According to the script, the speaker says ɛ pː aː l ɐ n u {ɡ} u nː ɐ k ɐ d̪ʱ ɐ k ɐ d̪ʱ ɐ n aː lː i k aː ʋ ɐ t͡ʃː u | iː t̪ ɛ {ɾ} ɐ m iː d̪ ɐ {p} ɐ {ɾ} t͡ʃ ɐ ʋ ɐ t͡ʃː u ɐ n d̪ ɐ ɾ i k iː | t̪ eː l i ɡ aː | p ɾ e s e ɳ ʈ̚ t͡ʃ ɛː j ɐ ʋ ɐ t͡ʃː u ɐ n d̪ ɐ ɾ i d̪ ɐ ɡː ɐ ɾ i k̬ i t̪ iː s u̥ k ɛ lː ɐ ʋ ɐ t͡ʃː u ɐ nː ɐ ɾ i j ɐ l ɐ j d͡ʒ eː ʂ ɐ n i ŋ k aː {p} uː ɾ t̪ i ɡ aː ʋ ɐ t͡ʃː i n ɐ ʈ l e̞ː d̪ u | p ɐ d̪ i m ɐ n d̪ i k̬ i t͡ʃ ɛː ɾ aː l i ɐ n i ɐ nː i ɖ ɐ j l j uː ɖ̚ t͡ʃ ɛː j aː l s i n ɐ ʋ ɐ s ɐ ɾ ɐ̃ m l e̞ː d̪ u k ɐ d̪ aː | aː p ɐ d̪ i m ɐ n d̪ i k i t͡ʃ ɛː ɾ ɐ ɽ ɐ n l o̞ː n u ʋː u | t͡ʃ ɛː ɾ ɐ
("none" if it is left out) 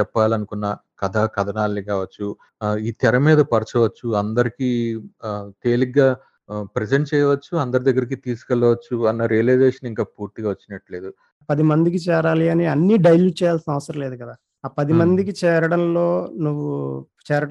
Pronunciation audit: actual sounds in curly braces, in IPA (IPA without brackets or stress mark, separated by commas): k, ɾ, p, ɾ, p